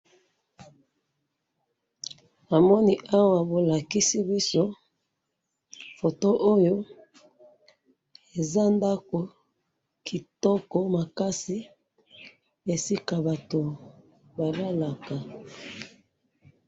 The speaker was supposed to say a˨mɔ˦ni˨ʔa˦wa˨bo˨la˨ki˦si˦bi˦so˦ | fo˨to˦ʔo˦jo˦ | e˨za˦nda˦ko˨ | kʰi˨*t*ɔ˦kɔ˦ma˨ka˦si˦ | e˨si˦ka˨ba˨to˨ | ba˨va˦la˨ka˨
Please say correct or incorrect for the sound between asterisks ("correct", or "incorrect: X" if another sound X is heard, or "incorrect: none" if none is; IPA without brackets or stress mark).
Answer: correct